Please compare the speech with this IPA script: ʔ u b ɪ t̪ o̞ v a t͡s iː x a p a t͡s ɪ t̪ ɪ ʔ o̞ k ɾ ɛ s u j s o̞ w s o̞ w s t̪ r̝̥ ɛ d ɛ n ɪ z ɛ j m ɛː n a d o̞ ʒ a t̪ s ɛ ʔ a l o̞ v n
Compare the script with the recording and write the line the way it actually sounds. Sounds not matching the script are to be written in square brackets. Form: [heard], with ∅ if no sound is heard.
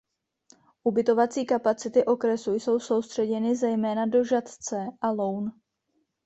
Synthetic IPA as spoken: ʔ u b ɪ t̪ o̞ v a t͡s iː [k] a p a t͡s ɪ t̪ ɪ ʔ o̞ k ɾ ɛ s u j s o̞ w s o̞ w s t̪ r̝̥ ɛ [ɟ] ɛ n ɪ z ɛ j m ɛː n a d o̞ ʒ a t̪ [t͡s] ɛ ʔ a l o̞ [w] n

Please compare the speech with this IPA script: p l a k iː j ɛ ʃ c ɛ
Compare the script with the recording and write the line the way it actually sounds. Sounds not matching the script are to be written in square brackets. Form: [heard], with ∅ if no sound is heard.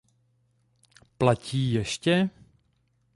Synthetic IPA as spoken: p l a [c] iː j ɛ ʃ c ɛ

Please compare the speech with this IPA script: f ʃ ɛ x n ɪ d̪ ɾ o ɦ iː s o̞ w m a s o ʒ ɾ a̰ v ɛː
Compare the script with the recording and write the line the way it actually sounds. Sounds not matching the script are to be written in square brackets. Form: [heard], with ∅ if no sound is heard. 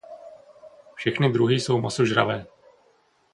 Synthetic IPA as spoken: f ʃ ɛ x n ɪ d̪ ɾ [u] ɦ iː s o̞ w m a s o ʒ ɾ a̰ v ɛː

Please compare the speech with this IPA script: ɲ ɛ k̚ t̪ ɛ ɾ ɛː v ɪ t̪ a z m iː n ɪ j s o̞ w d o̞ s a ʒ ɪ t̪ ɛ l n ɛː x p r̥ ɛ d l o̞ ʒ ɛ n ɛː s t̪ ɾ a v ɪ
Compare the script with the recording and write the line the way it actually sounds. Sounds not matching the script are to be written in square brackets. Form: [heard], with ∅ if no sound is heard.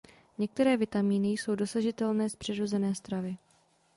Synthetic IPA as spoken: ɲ ɛ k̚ t̪ ɛ ɾ ɛː v ɪ t̪ a [∅] m iː n ɪ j s o̞ w d o̞ s a ʒ ɪ t̪ ɛ l n ɛː [s] p r̥ ɛ d [ɾ] o̞ [z] ɛ n ɛː s t̪ ɾ a v ɪ

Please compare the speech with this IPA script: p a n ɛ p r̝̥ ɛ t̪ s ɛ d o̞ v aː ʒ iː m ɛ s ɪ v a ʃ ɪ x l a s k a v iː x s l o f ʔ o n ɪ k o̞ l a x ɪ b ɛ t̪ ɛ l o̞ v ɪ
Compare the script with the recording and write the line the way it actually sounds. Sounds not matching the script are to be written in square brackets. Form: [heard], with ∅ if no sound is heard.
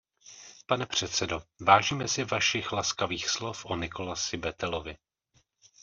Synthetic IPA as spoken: p a n ɛ p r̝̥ ɛ t̪ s ɛ d o̞ v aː ʒ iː m ɛ s ɪ v a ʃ ɪ x l a s k a v iː x s l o f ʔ o n ɪ k o̞ l a [s] ɪ b ɛ t̪ ɛ l o̞ v ɪ

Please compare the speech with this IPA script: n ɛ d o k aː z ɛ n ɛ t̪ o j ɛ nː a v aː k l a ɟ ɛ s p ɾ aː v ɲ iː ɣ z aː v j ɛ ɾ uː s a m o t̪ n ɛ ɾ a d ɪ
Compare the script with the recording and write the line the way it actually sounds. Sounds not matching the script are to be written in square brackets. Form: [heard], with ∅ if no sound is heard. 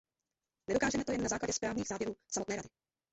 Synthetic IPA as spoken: n ɛ d o k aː [ʒ] ɛ [m] ɛ t̪ o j ɛ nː a [z] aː k l a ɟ ɛ s p ɾ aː v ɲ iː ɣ z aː v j ɛ ɾ uː s a m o t̪ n [ɛː] ɾ a d ɪ

